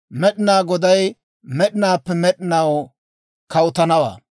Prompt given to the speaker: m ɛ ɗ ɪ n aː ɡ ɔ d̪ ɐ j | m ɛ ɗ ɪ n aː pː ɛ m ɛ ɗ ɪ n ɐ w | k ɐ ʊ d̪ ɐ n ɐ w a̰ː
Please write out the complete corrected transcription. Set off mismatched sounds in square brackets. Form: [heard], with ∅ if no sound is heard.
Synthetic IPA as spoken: m ɛ ɗ ɪ n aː ɡ ɔ d̪ ɐ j | m ɛ ɗ ɪ n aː pː ɛ m ɛ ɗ ɪ n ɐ w | k ɐ ʊ [t̪] ɐ n ɐ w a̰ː

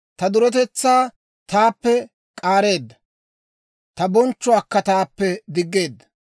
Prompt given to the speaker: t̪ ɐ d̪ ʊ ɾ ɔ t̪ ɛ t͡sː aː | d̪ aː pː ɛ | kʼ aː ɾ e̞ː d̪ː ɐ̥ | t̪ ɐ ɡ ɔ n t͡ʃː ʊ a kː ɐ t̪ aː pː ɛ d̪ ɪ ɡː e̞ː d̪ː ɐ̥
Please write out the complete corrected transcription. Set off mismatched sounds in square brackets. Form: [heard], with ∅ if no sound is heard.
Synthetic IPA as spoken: t̪ ɐ d̪ ʊ ɾ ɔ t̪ ɛ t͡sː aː | [t̪] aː pː ɛ | kʼ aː ɾ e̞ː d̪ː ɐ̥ | t̪ ɐ [b] ɔ n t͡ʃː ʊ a kː ɐ t̪ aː pː ɛ d̪ ɪ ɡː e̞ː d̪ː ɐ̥

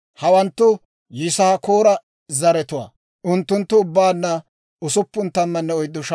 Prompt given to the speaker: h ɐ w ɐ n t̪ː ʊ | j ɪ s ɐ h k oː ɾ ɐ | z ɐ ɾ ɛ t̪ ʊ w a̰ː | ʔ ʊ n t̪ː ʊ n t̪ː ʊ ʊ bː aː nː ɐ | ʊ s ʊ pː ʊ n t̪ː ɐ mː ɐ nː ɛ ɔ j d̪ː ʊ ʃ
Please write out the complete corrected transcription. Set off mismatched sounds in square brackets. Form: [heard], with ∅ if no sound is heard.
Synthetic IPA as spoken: h ɐ w ɐ n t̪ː ʊ | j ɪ s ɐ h k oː ɾ ɐ | z ɐ ɾ ɛ t̪ ʊ w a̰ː | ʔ ʊ n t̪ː ʊ n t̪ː ʊ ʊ bː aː nː ɐ | ʊ s ʊ pː ʊ n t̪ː ɐ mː ɐ nː ɛ ɔ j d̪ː ʊ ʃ

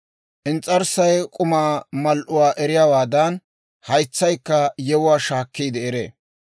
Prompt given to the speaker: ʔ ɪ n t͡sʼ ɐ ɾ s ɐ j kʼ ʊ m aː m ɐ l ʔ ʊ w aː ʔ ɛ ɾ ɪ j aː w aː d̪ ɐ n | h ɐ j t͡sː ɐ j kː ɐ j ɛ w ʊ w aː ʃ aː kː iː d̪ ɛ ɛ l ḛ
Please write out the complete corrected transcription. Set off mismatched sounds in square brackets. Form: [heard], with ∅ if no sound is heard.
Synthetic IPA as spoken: ʔ ɪ n t͡sʼ ɐ ɾ s ɐ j kʼ ʊ m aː m ɐ l ʔ ʊ w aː ʔ ɛ ɾ ɪ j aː w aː d̪ ɐ n | h ɐ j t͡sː ɐ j kː ɐ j ɛ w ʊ w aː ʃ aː kː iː d̪ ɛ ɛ [ɾ] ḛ

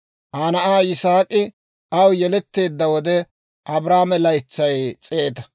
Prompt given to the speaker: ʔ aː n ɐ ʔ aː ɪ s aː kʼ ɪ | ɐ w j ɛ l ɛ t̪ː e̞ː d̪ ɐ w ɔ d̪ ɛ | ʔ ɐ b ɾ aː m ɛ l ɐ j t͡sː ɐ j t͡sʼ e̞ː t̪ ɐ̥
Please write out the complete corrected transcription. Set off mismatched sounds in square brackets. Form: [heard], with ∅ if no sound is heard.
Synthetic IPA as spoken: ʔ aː n ɐ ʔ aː ɪ s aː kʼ ɪ | ɐ w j ɛ l ɛ t̪ː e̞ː [d̪ː] ɐ w ɔ d̪ ɛ | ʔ ɐ b ɾ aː m ɛ l ɐ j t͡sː ɐ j t͡sʼ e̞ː t̪ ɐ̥

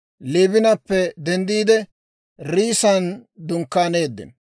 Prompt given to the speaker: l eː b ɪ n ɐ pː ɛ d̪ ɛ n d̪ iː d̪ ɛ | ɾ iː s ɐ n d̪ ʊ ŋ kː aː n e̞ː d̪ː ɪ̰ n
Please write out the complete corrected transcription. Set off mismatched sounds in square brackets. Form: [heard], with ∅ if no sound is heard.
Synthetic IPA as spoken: l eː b ɪ n ɐ pː ɛ d̪ ɛ n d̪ iː d̪ ɛ | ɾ iː s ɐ n d̪ ʊ ŋ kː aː n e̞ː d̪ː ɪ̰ n

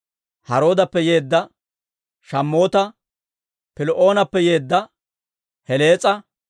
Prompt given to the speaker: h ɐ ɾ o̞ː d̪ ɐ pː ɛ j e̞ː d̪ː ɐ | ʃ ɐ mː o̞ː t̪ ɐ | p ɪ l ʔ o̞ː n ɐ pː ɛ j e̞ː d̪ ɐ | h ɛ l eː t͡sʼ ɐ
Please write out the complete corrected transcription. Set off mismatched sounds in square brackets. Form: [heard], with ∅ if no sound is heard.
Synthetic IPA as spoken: h ɐ ɾ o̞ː d̪ ɐ pː ɛ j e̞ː d̪ː ɐ | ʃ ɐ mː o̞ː t̪ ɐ | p ɪ l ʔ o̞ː n ɐ pː ɛ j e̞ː [d̪ː] ɐ | h ɛ l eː t͡sʼ ɐ

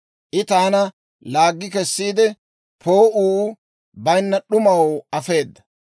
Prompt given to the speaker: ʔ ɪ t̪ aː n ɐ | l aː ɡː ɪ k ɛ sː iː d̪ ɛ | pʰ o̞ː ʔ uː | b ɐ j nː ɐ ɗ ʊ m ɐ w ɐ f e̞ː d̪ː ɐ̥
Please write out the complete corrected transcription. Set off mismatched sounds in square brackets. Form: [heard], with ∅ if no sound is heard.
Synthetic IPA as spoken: ʔ ɪ t̪ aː n ɐ | l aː ɡː ɪ k ɛ sː iː d̪ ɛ | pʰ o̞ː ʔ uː | b ɐ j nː ɐ ɗ ʊ m ɐ w ɐ f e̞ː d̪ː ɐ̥

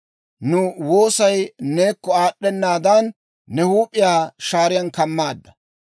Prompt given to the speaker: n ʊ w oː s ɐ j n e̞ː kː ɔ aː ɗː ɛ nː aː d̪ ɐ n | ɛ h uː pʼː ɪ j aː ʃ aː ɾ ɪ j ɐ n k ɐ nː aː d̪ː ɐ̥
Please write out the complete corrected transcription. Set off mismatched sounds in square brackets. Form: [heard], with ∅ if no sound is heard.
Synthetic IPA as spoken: n ʊ w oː s ɐ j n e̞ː kː ɔ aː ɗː ɛ nː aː d̪ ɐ [nː] | ɛ h uː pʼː ɪ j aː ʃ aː ɾ ɪ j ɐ n k ɐ [mː] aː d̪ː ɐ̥

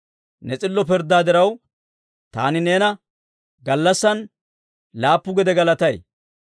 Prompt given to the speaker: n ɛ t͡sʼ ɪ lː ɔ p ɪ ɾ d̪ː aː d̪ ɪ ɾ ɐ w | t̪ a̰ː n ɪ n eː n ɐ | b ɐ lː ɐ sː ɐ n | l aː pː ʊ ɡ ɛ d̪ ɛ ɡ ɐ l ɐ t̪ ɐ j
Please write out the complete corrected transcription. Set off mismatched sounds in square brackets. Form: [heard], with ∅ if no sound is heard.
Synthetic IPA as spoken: n ɛ t͡sʼ ɪ lː ɔ p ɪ ɾ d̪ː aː d̪ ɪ ɾ ɐ w | t̪ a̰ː n ɪ n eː n ɐ | [ɡ] ɐ lː ɐ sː ɐ n | l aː pː ʊ ɡ ɛ d̪ ɛ ɡ ɐ l ɐ t̪ ɐ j

